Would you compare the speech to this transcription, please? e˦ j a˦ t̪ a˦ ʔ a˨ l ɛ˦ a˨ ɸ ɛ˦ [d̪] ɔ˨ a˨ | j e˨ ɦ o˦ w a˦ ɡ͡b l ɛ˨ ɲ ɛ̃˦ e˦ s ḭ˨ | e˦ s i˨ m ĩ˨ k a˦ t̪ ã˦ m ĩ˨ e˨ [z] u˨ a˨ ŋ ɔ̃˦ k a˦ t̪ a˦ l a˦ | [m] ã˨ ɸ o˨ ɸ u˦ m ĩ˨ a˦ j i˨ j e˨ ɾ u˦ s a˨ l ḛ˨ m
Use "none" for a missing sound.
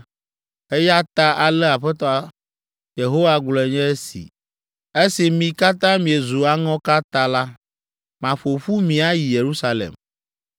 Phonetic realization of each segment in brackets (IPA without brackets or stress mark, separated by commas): t̪, z, m